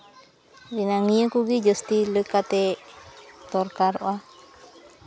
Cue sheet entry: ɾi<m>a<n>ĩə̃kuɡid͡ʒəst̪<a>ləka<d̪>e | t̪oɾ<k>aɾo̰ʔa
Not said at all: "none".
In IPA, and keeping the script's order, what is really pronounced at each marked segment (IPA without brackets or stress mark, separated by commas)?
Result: n, ŋ, i, t̪, k